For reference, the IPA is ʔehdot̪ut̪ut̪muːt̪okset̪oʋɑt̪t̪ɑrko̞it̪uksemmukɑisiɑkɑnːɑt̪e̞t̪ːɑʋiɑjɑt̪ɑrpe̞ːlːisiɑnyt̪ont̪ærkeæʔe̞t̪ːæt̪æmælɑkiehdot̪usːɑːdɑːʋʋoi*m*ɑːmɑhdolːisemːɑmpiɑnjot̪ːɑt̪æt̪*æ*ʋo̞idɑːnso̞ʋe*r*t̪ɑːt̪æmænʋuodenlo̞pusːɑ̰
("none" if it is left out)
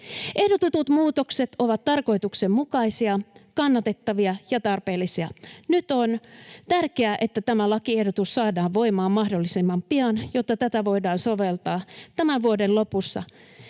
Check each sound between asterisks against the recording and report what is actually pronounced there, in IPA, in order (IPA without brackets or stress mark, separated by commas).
m, æ, l